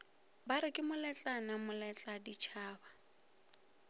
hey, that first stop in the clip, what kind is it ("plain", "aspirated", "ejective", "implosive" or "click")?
plain